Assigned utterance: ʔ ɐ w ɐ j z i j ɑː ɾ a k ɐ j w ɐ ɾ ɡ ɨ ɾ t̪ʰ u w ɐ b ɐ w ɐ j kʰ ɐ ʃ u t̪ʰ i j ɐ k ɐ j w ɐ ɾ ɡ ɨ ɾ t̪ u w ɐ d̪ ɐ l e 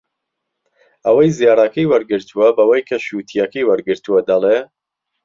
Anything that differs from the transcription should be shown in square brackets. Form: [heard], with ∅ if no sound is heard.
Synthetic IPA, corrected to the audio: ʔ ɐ w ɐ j z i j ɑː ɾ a k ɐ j w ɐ ɾ ɡ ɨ ɾ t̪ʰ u w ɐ b ɐ w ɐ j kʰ ɐ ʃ u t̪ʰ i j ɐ k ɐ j w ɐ ɾ ɡ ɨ ɾ t̪ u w ɐ d̪ ɐ l e